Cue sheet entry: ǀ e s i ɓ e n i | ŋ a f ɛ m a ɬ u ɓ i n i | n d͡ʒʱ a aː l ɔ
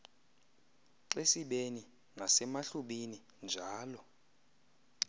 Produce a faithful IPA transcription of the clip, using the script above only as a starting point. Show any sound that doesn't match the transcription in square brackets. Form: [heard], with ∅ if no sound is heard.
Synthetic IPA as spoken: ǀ e s i ɓ e n i | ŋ a [s] ɛ m a ɬ u ɓ i n i | n d͡ʒʱ a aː l ɔ